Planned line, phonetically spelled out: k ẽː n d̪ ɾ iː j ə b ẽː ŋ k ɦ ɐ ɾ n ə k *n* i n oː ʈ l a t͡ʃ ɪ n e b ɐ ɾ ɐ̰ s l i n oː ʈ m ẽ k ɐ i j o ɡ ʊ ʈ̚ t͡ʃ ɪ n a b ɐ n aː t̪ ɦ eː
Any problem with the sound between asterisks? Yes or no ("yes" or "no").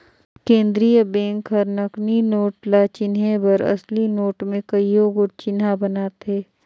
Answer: no